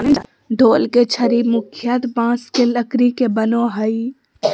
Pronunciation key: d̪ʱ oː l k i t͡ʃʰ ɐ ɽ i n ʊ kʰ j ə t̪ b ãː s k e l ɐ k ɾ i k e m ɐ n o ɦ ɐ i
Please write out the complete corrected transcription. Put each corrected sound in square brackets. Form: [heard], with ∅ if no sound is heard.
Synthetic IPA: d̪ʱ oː l k [e] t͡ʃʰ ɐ [ɾ] i [m] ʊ kʰ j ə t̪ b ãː s k e l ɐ k ɾ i k e [b] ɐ n o ɦ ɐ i